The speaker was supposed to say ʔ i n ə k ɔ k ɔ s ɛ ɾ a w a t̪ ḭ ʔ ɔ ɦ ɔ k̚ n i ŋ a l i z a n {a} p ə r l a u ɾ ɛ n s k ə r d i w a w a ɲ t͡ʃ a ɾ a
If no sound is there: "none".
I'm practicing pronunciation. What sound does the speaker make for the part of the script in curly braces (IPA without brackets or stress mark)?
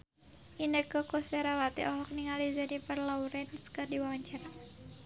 i